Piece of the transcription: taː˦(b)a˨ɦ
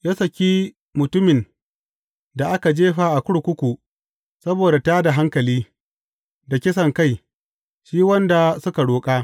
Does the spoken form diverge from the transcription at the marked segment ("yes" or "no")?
yes